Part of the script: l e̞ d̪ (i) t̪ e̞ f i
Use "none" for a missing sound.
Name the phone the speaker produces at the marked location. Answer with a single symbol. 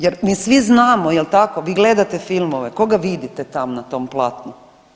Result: a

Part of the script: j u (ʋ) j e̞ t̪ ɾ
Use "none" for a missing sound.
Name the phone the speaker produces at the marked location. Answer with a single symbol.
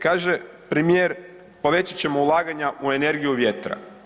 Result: ʋ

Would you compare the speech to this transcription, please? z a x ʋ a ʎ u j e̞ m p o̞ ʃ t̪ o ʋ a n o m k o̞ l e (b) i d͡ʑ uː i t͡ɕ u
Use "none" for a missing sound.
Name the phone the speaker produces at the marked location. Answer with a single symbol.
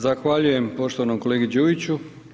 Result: ɡ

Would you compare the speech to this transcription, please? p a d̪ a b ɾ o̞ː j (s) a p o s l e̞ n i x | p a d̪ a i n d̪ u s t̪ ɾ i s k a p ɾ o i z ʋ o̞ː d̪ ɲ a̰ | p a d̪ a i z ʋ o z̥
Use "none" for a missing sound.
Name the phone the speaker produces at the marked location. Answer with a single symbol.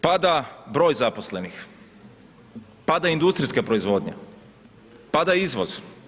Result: z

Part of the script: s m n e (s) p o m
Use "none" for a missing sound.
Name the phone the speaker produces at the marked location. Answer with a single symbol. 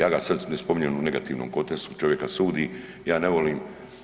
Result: s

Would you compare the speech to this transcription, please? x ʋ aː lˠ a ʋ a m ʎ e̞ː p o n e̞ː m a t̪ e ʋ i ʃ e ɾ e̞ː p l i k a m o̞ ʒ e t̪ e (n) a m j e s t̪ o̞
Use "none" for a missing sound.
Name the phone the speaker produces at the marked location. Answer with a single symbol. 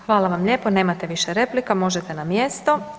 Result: n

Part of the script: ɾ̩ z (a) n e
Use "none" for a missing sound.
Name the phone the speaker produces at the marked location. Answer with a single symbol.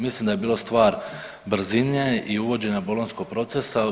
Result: i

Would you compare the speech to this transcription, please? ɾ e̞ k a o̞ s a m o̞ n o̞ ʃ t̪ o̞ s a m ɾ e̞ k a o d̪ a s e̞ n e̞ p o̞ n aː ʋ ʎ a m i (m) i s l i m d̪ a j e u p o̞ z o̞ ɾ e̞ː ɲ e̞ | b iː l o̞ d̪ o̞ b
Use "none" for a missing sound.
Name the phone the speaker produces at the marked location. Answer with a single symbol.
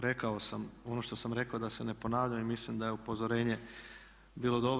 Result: m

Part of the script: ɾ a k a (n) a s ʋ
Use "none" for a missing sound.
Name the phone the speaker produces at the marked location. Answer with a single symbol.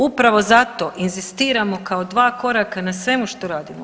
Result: n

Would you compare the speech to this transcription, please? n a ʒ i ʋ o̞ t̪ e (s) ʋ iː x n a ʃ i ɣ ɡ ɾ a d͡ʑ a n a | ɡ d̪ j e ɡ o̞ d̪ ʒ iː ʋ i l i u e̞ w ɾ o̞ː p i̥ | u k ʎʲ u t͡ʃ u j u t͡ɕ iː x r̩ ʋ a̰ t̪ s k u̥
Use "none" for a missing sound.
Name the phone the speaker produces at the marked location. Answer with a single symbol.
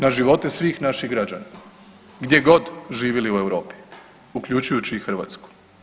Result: s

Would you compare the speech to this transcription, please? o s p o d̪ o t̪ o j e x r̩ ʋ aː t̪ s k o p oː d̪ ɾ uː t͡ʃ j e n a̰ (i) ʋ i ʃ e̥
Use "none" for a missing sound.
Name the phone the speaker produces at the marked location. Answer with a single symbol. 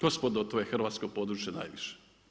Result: j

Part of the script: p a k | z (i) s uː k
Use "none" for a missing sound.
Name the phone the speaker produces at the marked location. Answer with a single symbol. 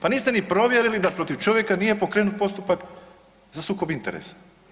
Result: a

